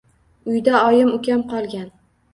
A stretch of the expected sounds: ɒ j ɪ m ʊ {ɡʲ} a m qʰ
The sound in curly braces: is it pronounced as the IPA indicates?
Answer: no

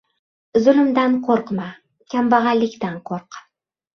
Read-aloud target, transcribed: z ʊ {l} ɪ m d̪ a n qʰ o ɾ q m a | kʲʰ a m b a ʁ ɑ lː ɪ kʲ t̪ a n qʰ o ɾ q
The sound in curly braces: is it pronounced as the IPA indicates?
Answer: yes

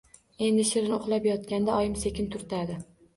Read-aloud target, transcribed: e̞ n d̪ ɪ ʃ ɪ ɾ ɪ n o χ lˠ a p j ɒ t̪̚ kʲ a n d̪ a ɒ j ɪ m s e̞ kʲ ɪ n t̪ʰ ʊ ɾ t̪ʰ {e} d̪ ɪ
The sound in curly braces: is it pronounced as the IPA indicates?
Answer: no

